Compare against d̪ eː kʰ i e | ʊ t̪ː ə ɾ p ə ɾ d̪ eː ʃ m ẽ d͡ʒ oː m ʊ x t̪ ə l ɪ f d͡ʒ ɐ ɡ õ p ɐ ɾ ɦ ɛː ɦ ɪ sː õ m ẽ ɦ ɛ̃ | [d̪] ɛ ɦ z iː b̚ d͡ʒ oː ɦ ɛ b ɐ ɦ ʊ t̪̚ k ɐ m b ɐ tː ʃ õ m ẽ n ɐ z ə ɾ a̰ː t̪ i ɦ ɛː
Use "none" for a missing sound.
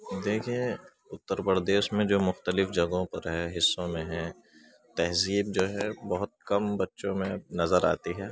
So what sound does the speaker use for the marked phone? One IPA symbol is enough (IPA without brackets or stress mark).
t̪